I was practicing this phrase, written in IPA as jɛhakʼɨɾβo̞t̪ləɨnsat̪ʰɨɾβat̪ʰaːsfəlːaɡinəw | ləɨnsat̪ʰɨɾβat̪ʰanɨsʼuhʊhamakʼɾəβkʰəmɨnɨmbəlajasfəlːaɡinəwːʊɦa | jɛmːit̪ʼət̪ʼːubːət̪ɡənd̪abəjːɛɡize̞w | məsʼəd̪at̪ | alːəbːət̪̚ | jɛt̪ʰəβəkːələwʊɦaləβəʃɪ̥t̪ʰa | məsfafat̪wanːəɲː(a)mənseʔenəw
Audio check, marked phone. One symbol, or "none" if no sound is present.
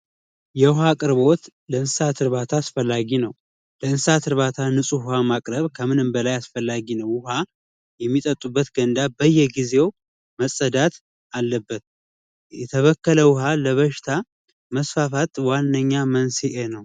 a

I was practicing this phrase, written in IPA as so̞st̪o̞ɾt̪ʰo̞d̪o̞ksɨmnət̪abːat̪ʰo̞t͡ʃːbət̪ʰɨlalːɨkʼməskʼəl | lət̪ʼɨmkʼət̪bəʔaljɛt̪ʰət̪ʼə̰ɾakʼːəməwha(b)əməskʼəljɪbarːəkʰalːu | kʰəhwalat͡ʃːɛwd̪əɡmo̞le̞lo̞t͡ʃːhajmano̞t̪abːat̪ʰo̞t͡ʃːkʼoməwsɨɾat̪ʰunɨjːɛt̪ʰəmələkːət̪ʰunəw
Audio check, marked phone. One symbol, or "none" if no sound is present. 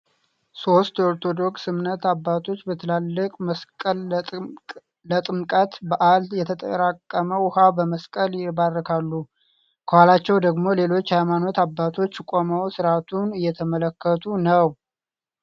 b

